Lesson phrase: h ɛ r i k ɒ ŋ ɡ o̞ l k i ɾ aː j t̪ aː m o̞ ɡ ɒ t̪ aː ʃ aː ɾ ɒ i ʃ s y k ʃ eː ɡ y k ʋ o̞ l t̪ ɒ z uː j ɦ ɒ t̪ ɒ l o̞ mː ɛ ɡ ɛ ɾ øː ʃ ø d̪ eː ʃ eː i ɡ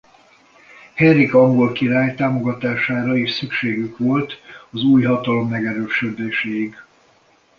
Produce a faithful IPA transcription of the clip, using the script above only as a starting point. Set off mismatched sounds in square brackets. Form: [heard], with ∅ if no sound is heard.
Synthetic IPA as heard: h ɛ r i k ɒ ŋ ɡ o̞ l k i ɾ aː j t̪ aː m o̞ ɡ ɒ t̪ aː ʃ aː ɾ ɒ i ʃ s y k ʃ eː ɡ y k ʋ o̞ l t̪ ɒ z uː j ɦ ɒ t̪ ɒ l o̞ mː ɛ ɡ ɛ ɾ øː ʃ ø d̪ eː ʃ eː i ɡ